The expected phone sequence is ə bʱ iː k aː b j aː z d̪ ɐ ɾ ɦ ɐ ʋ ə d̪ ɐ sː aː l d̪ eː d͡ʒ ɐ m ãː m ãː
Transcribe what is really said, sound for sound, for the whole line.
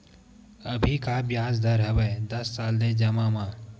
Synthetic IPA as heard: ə bʱ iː k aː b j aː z d̪ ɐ ɾ ɦ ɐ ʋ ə d̪ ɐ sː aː l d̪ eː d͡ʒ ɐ m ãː m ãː